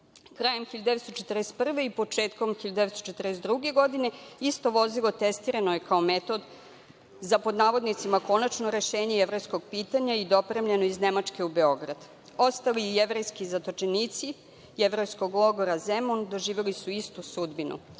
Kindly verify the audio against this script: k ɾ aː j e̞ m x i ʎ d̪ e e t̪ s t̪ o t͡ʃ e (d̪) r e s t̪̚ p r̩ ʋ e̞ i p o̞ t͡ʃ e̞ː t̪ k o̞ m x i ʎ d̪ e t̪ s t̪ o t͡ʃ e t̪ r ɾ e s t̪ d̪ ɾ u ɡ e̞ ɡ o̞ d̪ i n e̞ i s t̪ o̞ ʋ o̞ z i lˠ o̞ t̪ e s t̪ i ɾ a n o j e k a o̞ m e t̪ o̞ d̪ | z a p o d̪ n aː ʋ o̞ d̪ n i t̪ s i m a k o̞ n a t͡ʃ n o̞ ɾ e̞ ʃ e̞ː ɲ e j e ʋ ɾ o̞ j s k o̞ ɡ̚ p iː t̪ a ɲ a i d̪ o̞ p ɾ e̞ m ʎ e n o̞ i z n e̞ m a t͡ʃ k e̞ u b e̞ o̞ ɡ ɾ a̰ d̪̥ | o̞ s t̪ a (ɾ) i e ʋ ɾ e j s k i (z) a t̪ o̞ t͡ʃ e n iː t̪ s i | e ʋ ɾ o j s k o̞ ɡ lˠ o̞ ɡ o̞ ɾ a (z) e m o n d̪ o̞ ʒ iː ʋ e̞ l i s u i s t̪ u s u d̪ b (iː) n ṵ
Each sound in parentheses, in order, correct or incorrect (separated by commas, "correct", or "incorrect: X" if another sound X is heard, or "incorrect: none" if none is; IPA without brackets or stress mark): incorrect: t̪, incorrect: l, correct, correct, incorrect: i